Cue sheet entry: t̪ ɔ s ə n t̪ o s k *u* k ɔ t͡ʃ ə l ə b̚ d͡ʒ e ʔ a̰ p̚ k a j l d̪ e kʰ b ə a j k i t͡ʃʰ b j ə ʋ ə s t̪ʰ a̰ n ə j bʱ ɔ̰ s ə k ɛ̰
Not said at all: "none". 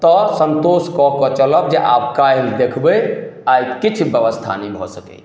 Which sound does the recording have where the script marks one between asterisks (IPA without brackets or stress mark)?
ɔ